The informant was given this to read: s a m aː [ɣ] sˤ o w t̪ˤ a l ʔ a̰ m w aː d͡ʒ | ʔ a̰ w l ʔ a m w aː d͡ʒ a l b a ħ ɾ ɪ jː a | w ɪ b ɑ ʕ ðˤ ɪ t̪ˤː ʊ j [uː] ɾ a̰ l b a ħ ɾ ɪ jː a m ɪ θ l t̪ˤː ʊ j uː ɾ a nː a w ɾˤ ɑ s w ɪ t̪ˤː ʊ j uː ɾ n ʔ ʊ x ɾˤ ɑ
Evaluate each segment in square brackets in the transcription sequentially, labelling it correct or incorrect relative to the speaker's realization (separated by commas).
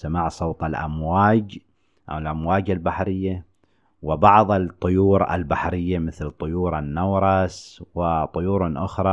incorrect, correct